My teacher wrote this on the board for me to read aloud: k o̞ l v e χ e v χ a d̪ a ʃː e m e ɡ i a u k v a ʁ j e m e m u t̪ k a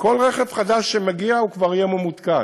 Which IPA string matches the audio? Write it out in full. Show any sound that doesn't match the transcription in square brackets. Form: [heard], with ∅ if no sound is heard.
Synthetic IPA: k o̞ l [ʁ] e χ e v χ a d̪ a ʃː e m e ɡ i a u k v a ʁ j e m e m u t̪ k a